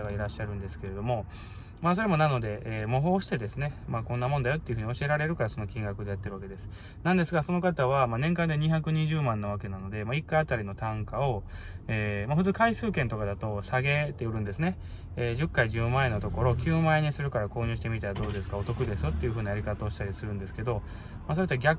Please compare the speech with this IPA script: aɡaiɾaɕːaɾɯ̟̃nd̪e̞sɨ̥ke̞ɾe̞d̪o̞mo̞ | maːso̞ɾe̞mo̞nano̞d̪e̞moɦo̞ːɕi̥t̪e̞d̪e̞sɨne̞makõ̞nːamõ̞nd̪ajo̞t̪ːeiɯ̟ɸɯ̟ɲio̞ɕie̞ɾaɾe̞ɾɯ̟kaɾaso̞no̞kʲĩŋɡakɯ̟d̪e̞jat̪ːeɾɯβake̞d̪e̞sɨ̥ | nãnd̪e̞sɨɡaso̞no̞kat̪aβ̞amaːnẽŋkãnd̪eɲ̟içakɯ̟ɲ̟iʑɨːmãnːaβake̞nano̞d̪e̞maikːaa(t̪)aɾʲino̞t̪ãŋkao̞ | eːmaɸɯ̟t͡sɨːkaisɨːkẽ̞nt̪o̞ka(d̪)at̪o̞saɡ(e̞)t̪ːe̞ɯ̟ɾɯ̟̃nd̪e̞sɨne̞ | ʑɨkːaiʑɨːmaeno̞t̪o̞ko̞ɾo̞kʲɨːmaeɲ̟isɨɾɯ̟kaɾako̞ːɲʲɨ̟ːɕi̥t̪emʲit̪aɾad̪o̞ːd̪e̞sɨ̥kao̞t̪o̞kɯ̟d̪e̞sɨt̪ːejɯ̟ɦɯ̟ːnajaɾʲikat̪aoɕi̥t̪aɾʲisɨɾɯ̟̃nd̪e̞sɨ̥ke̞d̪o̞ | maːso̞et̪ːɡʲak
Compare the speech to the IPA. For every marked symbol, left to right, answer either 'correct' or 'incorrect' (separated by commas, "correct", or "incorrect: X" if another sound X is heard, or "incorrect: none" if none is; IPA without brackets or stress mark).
correct, correct, correct